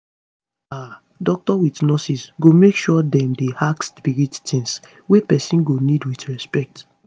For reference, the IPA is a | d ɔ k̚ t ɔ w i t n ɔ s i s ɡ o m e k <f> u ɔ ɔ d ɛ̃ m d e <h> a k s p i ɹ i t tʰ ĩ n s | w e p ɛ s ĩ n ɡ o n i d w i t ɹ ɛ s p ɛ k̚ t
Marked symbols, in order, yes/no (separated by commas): no, yes